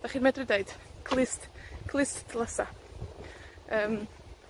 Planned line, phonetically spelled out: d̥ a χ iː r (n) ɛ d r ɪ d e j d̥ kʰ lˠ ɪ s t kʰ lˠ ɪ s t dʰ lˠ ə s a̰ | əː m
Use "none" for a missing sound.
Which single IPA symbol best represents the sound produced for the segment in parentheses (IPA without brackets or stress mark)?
m